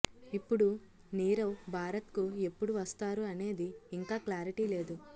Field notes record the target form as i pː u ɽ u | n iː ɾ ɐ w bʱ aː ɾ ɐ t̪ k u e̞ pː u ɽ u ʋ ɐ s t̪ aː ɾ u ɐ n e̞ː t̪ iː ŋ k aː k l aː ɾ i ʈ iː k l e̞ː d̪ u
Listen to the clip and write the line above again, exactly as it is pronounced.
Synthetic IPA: i pː u ɽ u | n iː ɾ ɐ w bʱ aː ɾ ɐ t̪ k u e̞ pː u ɽ u ʋ ɐ s t̪ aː ɾ u ɐ n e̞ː d̪ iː ŋ k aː k l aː ɾ i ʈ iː l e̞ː d̪ u